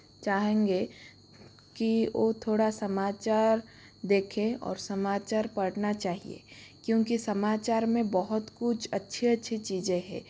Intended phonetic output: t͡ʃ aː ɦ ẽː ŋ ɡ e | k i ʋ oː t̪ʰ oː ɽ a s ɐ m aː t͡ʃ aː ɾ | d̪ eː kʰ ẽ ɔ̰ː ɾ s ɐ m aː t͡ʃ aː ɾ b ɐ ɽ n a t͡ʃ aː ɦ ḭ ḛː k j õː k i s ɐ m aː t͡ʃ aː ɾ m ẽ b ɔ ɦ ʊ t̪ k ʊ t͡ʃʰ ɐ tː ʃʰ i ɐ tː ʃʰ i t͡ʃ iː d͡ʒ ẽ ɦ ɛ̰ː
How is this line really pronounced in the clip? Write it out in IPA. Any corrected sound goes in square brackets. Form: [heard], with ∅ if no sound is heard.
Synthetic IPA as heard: t͡ʃ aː ɦ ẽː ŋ ɡ e | k i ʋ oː t̪ʰ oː ɽ a s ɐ m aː t͡ʃ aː ɾ | d̪ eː kʰ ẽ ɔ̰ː ɾ s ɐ m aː t͡ʃ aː ɾ [p] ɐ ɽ n a t͡ʃ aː ɦ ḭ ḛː k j õː k i s ɐ m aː t͡ʃ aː ɾ m ẽ b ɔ ɦ ʊ t̪ k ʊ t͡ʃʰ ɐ tː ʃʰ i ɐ tː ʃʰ i t͡ʃ iː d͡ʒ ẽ ɦ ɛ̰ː

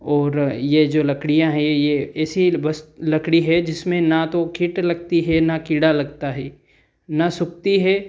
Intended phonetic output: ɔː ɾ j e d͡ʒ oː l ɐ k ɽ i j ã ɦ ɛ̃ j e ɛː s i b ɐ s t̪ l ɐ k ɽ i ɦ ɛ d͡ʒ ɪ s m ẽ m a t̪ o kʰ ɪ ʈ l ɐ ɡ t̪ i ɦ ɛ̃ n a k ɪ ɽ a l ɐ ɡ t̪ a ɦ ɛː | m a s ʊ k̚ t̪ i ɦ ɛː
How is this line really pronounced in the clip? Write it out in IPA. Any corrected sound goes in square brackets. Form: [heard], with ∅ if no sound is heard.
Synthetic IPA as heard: ɔː ɾ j e d͡ʒ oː l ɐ k ɽ i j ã ɦ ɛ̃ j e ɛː s i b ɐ s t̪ l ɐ k ɽ i ɦ ɛ d͡ʒ ɪ s m ẽ [n] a t̪ o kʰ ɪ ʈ l ɐ ɡ t̪ i ɦ [ɛ] n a k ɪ ɽ a l ɐ ɡ t̪ a ɦ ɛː | [n] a s ʊ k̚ t̪ i ɦ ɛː

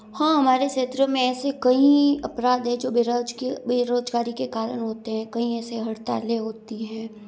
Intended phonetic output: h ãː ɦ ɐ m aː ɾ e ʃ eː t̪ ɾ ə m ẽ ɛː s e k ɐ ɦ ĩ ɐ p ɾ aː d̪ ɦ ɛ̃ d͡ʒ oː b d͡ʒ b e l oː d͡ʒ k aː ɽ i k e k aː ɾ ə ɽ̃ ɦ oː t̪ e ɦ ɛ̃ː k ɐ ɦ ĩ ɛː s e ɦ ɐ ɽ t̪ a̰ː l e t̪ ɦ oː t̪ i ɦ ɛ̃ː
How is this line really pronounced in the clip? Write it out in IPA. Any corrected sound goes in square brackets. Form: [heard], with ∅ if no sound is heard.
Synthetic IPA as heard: h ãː ɦ ɐ m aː ɾ e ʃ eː t̪ ɾ ə m ẽ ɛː s e k ɐ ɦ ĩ ɐ p ɾ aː d̪ ɦ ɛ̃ d͡ʒ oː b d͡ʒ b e [ɾ] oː d͡ʒ [ɡ] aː [ɾ] i k e k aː ɾ ə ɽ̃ ɦ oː t̪ e ɦ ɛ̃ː k ɐ ɦ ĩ ɛː s e ɦ ɐ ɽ t̪ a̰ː l e [∅] ɦ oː t̪ i ɦ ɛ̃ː

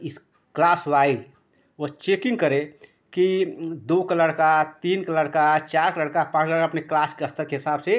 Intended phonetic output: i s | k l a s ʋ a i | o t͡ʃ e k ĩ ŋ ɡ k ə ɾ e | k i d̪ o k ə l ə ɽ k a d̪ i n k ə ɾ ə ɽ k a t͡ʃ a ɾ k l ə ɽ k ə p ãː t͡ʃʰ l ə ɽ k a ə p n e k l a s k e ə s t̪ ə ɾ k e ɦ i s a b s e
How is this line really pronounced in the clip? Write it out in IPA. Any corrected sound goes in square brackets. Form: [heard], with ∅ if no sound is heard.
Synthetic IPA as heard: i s | k l a s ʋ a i | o t͡ʃ e k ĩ ŋ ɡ k ə ɾ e | k i d̪ o k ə l ə ɽ k a [t̪] i n k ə [l] ə ɽ k a t͡ʃ a ɾ k l ə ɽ k [a] p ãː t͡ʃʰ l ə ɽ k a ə p n e k l a s k e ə s t̪ ə ɾ k e ɦ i s a b s e

